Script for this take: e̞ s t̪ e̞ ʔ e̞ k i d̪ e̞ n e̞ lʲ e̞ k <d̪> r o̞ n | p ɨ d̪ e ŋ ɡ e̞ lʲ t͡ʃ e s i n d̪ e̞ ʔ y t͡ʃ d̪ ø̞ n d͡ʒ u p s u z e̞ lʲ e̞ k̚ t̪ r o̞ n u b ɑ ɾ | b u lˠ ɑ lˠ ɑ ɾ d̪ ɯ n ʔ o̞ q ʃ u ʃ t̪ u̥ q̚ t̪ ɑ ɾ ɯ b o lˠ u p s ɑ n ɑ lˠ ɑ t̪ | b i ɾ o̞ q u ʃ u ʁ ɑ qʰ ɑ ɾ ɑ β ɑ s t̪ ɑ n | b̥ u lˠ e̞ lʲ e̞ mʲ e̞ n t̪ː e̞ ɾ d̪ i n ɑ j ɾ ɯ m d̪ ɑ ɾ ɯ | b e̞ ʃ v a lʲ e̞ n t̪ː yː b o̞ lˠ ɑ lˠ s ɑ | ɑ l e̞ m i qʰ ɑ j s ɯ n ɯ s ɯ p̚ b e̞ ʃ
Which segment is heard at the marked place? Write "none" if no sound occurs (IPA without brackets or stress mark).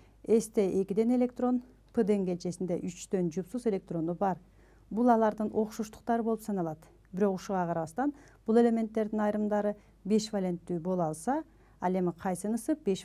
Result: t̪